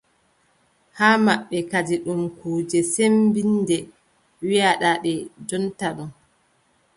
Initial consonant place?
glottal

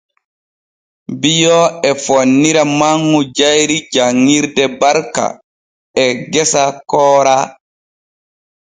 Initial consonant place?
labial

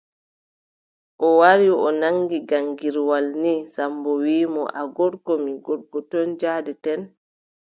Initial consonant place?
glottal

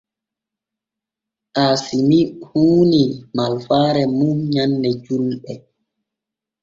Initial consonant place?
glottal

